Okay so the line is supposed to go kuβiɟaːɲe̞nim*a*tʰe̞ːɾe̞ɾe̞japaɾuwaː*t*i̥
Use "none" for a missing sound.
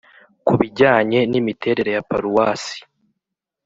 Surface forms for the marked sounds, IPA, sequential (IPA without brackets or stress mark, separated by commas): i, s